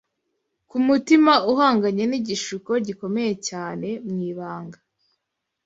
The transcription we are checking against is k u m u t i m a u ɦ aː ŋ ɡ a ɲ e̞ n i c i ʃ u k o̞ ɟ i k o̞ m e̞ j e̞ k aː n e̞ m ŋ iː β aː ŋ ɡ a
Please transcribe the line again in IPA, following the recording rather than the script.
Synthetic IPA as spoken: k u m u t i m a u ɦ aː ŋ ɡ a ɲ e̞ n i ɟ i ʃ u k o̞ ɟ i k o̞ m e̞ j e̞ c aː n e̞ m ŋ iː β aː ŋ ɡ a